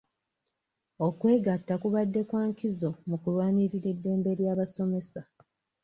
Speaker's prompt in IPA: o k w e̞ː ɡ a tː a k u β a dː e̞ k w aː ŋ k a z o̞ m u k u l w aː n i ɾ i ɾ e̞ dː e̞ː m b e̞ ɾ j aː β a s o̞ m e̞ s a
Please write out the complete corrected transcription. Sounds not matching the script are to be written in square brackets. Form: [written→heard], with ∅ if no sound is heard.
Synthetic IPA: o k w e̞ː ɡ a tː a k u β a dː e̞ k w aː ŋ k [a→i] z o̞ m u k u l w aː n i ɾ i ɾ e̞ dː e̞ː m b e̞ ɾ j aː β a s o̞ m e̞ s a